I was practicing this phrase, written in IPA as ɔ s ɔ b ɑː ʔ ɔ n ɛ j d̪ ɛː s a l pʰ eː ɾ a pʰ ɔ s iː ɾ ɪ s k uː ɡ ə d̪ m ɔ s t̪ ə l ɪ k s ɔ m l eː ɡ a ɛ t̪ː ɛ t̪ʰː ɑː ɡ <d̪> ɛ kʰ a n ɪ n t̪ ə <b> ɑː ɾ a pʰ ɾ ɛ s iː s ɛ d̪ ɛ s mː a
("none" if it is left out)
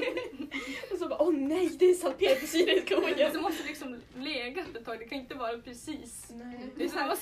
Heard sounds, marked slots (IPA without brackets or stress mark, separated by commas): d̪, v